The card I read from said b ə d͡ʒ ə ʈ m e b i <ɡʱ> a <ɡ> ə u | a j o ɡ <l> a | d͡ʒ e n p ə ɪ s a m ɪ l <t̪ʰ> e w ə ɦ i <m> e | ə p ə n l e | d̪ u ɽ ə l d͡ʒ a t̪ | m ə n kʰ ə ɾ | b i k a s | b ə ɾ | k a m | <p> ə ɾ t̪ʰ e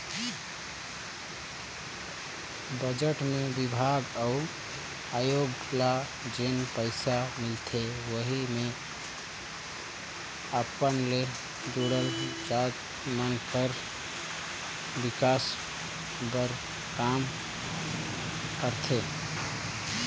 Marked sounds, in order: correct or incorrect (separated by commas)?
incorrect, correct, correct, correct, correct, incorrect